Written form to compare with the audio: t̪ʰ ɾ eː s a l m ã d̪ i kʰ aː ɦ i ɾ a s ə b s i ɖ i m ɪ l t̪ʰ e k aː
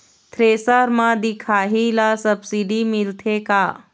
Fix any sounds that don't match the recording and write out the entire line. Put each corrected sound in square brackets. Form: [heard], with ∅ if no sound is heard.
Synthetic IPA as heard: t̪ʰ ɾ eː s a [ɾ] m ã d̪ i kʰ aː ɦ i [l] a s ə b s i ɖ i m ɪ l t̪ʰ e k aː